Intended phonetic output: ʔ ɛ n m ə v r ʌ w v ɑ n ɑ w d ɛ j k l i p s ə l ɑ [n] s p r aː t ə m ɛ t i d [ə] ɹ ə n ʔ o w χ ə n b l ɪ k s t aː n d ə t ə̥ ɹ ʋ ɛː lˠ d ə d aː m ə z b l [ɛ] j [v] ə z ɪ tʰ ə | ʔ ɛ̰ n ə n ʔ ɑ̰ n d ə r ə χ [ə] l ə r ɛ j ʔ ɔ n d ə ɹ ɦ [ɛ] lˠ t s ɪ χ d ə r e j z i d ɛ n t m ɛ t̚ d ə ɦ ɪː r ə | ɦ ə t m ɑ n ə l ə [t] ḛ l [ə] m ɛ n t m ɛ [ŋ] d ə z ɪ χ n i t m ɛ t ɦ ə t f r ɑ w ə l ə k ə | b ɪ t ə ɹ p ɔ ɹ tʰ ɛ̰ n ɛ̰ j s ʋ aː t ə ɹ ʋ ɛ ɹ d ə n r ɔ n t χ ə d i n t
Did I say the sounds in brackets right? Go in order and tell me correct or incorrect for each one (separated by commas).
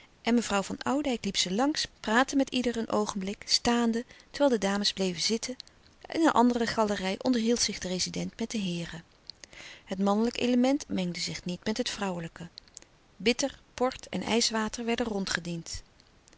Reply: incorrect, correct, incorrect, correct, incorrect, incorrect, incorrect, correct, correct